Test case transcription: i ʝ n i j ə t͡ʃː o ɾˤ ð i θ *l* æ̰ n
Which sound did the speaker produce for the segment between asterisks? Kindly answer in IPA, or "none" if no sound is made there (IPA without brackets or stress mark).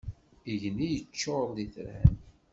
ɾ